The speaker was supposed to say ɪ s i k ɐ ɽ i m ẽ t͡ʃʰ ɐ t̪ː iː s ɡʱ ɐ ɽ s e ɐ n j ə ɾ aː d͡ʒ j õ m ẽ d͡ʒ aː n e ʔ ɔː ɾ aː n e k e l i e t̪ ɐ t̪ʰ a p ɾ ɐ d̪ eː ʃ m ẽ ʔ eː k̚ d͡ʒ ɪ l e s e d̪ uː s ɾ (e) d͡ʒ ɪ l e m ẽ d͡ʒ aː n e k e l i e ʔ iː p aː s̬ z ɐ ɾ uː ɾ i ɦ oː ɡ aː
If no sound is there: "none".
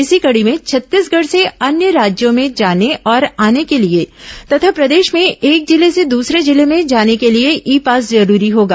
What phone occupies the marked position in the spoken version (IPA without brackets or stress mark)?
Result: e